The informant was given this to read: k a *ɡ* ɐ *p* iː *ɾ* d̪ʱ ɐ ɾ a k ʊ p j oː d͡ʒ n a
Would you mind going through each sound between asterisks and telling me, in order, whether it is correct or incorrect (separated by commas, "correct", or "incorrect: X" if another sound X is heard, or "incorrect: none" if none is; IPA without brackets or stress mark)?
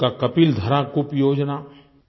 incorrect: k, correct, incorrect: l